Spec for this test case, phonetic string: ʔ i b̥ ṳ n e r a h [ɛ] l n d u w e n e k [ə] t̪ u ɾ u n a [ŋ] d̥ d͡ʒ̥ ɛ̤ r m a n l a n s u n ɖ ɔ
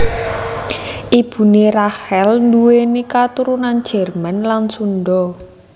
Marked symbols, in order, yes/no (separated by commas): yes, no, no